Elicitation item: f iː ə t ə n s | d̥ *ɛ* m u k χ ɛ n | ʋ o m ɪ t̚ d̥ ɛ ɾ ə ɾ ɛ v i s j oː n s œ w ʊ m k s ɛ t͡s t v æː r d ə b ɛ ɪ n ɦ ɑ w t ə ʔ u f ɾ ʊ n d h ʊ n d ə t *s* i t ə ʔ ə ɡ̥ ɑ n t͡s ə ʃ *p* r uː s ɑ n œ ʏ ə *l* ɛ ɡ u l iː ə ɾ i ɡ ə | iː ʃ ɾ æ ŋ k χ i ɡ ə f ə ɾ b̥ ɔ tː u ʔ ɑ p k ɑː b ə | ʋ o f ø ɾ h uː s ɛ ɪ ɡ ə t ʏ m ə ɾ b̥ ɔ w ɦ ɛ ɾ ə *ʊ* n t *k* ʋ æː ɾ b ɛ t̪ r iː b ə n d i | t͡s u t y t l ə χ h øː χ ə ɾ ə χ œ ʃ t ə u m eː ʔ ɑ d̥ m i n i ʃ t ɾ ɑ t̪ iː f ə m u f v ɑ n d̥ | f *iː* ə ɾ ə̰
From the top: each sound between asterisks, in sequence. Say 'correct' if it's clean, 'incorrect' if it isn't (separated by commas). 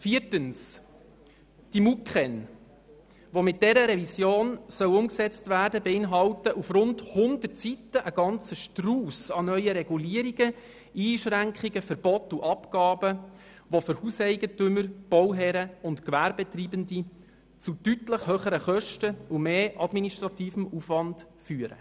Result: incorrect, correct, incorrect, incorrect, correct, correct, incorrect